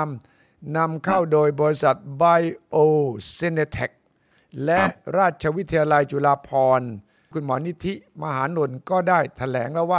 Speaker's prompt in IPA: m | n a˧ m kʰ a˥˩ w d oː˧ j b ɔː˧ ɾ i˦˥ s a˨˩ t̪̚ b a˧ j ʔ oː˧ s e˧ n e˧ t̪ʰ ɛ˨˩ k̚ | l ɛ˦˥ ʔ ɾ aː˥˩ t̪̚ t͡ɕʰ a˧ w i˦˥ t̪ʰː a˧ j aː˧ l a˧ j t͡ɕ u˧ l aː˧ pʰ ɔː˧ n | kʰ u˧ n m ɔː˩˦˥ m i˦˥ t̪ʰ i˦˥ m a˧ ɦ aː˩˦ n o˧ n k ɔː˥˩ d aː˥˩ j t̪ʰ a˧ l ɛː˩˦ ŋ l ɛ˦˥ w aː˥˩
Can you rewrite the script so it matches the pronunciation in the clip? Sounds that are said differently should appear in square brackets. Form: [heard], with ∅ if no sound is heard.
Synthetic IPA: m | n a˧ m kʰ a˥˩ w d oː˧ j b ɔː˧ ɾ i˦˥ s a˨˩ t̪̚ b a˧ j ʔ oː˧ s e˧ n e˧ t̪ʰ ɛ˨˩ k̚ | l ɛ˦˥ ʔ ɾ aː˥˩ t̪̚ t͡ɕʰ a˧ w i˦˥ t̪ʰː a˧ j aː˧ l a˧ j t͡ɕ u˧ l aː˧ pʰ ɔː˧ n | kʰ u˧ n m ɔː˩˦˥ [n] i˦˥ t̪ʰ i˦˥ m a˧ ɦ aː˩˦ n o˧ n k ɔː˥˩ d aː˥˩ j t̪ʰ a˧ l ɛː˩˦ ŋ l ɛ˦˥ w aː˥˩